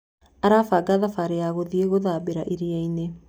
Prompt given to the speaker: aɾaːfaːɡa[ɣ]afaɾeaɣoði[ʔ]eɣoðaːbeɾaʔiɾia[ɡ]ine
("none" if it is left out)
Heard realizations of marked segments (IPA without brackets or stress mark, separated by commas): ð, none, none